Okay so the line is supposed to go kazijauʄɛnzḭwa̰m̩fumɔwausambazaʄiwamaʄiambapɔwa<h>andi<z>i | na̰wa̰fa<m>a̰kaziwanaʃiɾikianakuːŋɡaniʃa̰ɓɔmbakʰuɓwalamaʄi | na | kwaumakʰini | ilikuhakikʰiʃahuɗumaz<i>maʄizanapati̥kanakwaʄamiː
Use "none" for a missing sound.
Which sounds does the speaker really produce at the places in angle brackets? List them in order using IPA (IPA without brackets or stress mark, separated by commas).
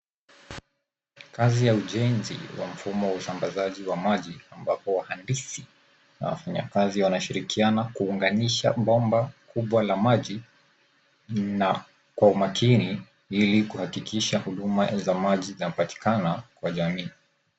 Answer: h, s, ɲ, a